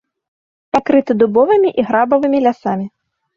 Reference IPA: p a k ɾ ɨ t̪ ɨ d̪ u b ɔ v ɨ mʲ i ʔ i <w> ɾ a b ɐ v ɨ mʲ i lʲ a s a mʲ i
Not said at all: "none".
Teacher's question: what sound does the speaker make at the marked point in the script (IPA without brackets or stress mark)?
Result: ɣ